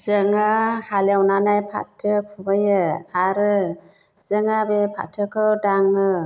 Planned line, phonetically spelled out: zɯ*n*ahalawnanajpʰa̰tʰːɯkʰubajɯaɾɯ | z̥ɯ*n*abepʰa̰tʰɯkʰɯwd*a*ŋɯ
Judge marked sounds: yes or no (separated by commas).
no, no, yes